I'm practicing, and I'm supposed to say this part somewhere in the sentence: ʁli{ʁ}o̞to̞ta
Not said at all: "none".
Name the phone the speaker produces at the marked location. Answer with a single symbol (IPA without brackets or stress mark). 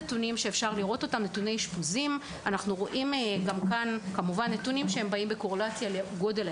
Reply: ʁ